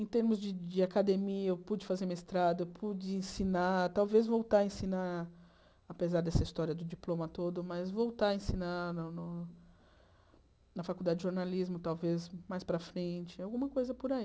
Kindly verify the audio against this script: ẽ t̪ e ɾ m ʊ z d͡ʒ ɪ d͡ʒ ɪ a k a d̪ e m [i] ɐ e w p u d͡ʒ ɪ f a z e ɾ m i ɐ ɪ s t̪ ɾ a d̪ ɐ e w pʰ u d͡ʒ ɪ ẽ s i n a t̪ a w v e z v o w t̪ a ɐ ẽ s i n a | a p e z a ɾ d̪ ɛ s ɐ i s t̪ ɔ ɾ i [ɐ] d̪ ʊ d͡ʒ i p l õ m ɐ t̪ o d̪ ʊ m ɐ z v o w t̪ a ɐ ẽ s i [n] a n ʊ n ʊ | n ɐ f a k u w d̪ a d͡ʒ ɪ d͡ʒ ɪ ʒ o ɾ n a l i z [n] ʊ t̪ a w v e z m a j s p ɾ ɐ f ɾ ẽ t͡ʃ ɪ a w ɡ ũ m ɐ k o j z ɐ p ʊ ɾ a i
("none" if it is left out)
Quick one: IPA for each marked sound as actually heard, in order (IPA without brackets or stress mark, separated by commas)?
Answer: i, ɐ, n, m